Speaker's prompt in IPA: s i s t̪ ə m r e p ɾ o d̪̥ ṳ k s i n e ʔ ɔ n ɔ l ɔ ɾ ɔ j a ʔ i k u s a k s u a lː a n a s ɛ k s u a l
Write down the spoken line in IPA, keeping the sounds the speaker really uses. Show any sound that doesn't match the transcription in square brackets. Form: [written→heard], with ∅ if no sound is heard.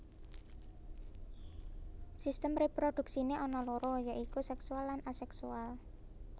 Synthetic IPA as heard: s i s t̪ ə m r e p ɾ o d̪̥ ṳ k s i n e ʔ ɔ n ɔ l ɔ ɾ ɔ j a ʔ i k u s [a→ɛ] k s u a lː a n a s ɛ k s u a l